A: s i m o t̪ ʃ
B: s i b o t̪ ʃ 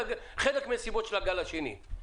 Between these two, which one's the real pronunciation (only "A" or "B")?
B